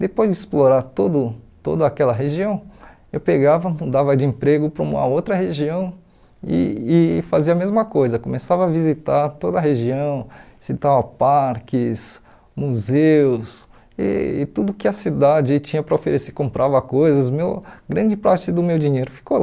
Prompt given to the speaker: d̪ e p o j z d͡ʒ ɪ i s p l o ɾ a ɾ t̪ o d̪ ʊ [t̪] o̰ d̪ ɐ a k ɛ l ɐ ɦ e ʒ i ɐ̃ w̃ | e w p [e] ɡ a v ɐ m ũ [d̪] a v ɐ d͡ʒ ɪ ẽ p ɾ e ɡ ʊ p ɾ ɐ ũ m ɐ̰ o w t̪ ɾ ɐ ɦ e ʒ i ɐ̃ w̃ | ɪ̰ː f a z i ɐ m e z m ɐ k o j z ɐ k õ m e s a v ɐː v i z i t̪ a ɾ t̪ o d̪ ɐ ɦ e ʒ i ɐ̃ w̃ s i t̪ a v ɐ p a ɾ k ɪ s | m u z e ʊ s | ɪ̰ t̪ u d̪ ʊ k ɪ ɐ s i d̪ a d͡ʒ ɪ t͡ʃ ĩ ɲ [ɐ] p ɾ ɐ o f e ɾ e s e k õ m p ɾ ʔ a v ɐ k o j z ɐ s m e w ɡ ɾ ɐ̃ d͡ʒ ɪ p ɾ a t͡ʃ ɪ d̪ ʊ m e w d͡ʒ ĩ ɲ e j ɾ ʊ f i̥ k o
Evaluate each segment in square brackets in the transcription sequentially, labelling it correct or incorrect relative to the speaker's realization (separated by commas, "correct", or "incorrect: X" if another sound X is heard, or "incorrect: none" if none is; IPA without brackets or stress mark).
correct, correct, correct, correct